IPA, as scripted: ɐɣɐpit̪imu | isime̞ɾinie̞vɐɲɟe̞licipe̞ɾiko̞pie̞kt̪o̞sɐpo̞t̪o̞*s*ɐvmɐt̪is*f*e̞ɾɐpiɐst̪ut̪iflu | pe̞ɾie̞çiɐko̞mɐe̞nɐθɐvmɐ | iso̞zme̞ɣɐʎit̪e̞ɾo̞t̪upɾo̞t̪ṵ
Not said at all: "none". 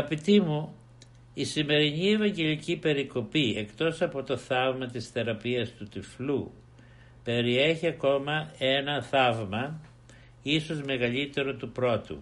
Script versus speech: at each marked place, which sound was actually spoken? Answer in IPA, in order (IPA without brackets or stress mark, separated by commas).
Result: θ, θ